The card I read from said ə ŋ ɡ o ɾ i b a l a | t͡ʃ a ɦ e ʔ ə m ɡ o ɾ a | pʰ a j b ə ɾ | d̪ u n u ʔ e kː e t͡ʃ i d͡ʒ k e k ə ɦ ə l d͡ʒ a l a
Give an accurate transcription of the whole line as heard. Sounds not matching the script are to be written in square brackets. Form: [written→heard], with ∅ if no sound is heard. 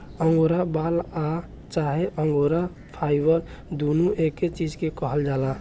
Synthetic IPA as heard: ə ŋ ɡ o ɾ [i→a] b a l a | t͡ʃ a ɦ e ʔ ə [m→ŋ] ɡ o ɾ a | pʰ a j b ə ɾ | d̪ u n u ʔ e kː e t͡ʃ i d͡ʒ k e k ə ɦ ə l d͡ʒ a l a

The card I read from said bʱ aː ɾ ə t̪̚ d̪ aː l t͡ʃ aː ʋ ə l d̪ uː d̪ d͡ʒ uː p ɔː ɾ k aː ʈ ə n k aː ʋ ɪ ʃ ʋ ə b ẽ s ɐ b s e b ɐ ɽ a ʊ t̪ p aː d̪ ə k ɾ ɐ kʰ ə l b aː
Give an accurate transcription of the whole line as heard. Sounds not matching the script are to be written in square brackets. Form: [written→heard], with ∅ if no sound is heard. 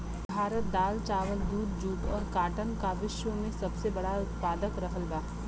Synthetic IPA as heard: bʱ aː ɾ ə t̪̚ d̪ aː l t͡ʃ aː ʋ ə l d̪ uː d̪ d͡ʒ uː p ɔː ɾ k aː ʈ ə n k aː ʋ ɪ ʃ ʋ ə [b→m] ẽ s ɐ b s e b ɐ ɽ a ʊ t̪ p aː d̪ ə k ɾ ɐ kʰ ə l b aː

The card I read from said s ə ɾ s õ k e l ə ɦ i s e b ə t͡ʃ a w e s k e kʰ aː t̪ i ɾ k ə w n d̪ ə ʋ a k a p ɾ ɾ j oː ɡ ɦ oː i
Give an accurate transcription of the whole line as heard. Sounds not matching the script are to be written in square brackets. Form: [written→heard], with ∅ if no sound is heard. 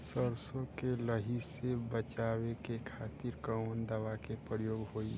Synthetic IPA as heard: s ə ɾ s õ k e l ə ɦ i s e b ə t͡ʃ a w e [s→∅] k e kʰ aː t̪ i ɾ k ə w n d̪ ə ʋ a k [a→e] p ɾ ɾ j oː ɡ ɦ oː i

